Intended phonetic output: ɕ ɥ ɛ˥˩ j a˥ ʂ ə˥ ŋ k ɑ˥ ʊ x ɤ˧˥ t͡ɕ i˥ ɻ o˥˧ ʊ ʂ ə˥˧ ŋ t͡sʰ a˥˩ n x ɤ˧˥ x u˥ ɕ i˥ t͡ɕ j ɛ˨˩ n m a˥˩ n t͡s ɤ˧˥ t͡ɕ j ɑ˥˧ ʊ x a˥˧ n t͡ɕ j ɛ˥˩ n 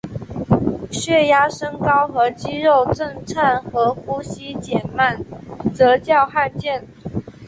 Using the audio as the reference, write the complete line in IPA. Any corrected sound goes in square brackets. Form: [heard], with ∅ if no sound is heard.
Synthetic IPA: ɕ ɥ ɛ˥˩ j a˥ ʂ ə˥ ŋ k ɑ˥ ʊ x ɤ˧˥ t͡ɕ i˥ ɻ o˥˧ ʊ [ʈ͡ʂ] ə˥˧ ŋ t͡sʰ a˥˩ n x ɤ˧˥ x u˥ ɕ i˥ t͡ɕ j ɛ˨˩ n m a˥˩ n t͡s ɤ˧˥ t͡ɕ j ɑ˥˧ ʊ x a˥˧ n t͡ɕ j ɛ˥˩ n